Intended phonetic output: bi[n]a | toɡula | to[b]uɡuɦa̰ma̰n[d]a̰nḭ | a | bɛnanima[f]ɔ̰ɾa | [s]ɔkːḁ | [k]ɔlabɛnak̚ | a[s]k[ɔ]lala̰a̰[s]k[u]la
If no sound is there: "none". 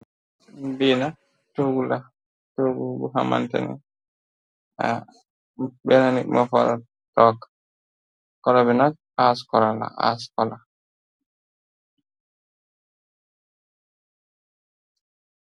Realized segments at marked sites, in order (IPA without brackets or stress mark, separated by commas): n, ɡ, t, f, t, k, s, ɔ, s, ɔ